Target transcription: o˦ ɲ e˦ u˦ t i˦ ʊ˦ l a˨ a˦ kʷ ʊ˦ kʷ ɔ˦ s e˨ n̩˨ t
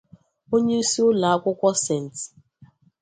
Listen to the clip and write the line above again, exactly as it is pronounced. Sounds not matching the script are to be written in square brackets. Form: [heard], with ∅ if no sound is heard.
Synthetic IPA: o˦ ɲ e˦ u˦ [s] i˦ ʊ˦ l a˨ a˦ kʷ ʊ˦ kʷ ɔ˦ s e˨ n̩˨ t